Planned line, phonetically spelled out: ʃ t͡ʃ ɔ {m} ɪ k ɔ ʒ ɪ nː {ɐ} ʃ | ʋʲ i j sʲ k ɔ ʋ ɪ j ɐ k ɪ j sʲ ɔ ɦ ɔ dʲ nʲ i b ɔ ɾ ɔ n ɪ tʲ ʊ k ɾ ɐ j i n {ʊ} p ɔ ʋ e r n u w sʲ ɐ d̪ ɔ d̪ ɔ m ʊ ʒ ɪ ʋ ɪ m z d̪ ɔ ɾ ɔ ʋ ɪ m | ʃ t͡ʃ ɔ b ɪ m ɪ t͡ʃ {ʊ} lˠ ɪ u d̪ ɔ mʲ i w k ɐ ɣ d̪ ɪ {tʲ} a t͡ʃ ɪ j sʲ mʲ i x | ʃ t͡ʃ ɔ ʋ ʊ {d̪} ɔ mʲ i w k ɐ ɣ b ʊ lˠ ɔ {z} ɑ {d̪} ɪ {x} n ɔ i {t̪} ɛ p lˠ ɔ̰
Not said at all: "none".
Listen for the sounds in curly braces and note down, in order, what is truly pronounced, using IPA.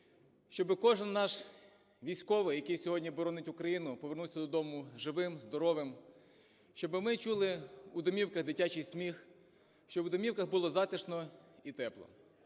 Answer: b, ɑ, ʊ, u, tʲ, d̪, z, t̪, ʃ, t̪

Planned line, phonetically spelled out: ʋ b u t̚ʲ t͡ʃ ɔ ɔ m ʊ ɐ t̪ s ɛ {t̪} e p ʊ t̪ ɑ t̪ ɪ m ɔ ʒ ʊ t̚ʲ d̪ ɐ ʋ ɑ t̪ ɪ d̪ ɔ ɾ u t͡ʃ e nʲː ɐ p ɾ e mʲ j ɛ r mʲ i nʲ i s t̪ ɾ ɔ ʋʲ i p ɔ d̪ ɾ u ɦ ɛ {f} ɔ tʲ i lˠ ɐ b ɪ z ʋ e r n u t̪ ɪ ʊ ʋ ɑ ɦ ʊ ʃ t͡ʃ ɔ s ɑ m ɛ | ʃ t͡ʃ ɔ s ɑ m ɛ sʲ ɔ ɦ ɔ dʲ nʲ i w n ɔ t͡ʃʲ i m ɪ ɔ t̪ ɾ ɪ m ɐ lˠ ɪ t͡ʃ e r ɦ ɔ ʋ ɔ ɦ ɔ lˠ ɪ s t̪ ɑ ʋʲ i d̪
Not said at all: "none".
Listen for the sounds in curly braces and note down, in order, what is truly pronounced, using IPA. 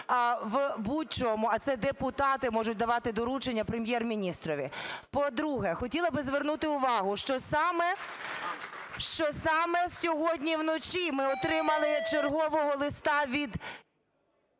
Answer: d̪, x

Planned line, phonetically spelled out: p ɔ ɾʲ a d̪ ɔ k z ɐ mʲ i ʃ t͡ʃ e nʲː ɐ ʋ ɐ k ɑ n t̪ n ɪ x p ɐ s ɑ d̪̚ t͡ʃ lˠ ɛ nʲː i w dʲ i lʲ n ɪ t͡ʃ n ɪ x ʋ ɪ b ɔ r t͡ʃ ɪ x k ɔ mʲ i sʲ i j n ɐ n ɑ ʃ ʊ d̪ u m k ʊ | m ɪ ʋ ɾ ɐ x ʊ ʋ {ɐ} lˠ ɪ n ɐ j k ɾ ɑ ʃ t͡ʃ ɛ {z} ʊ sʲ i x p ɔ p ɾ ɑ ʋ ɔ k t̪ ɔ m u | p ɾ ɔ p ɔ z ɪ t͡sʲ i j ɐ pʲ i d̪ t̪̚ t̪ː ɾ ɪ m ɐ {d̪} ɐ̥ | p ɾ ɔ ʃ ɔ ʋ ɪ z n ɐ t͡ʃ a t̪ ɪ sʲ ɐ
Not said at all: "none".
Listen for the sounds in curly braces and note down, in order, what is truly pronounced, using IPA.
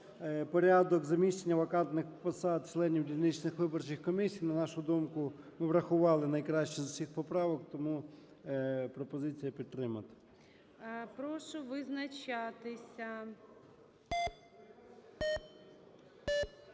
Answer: ɑ, z, t̪

